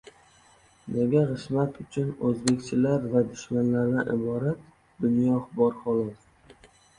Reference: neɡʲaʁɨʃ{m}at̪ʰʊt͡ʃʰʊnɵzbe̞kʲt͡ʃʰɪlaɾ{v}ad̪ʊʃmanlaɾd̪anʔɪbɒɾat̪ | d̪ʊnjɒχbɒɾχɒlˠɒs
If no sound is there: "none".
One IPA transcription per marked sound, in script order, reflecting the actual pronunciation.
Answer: m, v

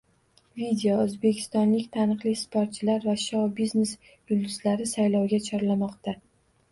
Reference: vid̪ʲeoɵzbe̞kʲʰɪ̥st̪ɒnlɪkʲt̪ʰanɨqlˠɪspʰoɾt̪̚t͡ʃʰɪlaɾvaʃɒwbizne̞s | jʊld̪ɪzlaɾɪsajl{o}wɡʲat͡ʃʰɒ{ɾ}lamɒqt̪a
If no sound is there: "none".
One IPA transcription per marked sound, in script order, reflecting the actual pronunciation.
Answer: ɒ, ɾ

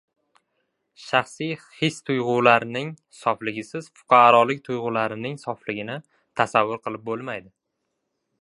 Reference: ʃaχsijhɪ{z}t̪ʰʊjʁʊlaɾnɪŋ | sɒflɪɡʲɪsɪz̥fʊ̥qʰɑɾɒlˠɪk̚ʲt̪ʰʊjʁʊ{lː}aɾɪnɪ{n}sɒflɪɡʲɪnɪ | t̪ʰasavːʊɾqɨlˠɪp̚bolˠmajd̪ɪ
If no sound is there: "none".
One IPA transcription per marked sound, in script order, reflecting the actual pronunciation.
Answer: s, l, ŋ

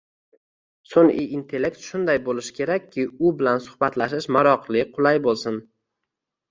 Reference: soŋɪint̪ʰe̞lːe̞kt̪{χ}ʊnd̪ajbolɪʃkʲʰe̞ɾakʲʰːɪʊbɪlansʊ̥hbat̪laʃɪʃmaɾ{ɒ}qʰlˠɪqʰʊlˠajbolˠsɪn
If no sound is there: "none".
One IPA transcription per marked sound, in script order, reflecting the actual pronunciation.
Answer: ʃ, ɒ

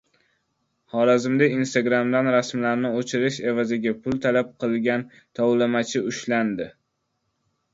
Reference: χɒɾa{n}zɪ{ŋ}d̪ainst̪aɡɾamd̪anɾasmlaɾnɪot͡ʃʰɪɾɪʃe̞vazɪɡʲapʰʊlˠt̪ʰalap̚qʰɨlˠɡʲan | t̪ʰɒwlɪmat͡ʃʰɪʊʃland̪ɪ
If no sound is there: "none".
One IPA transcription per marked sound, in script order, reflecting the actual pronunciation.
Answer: none, m

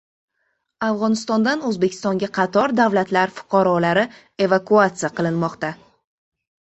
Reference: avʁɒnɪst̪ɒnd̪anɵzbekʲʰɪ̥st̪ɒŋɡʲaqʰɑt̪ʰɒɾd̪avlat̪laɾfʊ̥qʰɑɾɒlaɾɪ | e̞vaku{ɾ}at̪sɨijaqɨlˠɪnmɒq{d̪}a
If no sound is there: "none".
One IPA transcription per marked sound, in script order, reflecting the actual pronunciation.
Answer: none, t̪

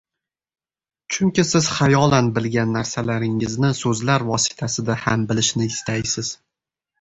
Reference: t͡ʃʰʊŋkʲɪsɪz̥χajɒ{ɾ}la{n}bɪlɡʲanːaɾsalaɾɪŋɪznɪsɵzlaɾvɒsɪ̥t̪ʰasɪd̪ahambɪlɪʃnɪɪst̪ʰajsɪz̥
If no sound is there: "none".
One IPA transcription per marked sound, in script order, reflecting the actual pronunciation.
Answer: none, n

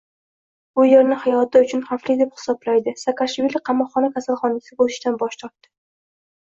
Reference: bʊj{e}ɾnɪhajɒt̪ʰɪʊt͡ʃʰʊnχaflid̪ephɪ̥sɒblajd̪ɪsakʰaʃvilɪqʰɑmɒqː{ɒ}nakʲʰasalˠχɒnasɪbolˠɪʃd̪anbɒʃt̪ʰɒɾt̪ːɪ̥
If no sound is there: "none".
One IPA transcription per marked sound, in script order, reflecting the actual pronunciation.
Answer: e, ɒ

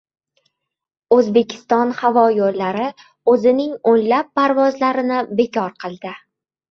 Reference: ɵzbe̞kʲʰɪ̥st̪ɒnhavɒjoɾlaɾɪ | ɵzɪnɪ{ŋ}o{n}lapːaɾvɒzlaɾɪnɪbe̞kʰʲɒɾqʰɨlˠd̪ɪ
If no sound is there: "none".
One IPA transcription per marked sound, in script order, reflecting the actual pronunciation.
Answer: ŋ, n

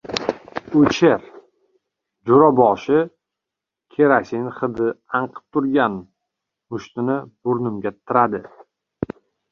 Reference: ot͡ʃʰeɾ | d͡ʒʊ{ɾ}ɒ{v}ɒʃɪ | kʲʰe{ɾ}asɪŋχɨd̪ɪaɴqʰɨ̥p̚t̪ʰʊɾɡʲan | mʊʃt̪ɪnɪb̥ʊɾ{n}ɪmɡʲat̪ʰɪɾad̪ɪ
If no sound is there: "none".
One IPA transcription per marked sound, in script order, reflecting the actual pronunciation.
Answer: ɾ, b, ɾ, n

